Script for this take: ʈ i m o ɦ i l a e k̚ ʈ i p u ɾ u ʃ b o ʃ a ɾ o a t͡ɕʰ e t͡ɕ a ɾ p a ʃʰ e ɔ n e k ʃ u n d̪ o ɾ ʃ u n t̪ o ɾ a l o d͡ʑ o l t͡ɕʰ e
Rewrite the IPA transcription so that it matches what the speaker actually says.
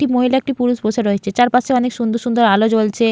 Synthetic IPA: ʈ i m o ɦ i l a e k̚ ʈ i p u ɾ u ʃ b o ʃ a ɾ o e t͡ɕʰ e t͡ɕ a ɾ p a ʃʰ e ɔ n e k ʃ u n d̪ o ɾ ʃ u n d̪ o ɾ a l o d͡ʑ o l t͡ɕʰ e